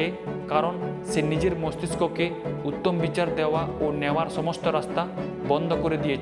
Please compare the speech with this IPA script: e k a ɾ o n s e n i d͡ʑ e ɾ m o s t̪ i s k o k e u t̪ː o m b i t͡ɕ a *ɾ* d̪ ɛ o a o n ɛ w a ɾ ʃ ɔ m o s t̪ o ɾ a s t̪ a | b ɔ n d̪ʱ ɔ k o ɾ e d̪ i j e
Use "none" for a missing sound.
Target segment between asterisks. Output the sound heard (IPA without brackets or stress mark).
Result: ɾ